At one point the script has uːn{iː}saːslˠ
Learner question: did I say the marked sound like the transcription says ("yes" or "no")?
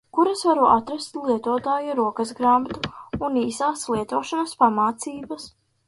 yes